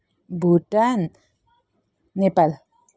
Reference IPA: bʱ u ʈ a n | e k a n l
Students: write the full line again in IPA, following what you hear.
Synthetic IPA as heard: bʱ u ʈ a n | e p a l